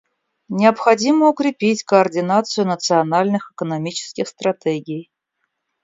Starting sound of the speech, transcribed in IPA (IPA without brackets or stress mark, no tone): nʲ